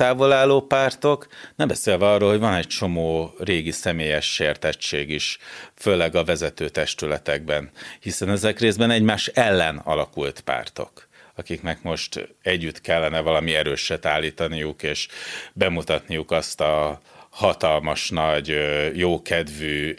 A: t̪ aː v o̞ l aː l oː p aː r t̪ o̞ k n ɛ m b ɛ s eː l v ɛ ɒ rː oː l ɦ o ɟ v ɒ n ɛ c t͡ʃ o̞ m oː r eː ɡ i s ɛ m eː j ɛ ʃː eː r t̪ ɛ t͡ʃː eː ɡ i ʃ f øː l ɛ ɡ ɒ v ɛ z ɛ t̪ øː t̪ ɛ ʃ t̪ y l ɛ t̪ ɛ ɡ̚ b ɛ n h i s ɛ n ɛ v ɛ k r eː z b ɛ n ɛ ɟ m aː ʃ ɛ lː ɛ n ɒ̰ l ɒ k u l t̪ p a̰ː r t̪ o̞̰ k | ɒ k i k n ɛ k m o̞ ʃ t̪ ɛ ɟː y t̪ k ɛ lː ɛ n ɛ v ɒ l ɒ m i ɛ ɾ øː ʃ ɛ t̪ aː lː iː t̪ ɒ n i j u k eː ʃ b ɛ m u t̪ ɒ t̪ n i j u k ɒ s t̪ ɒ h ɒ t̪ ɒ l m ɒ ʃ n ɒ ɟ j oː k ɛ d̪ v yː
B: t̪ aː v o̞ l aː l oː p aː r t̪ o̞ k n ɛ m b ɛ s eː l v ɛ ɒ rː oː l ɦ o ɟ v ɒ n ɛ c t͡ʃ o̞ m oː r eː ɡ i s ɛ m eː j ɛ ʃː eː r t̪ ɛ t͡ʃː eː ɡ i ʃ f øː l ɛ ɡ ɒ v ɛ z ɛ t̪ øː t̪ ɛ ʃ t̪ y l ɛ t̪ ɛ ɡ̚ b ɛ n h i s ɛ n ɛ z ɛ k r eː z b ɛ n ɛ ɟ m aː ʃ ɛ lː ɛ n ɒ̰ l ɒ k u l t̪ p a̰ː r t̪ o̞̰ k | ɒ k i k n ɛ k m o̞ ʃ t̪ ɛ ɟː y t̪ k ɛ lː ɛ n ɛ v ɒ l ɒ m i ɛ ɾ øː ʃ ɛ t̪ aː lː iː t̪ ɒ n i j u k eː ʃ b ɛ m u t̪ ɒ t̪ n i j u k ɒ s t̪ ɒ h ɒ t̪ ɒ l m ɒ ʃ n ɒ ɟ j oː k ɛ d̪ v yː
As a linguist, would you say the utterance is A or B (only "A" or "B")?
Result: B